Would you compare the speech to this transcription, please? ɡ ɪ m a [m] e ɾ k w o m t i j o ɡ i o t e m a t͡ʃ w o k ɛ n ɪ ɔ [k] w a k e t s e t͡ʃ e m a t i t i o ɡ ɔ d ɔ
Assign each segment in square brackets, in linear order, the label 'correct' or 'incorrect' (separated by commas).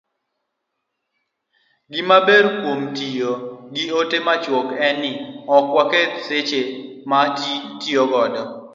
incorrect, correct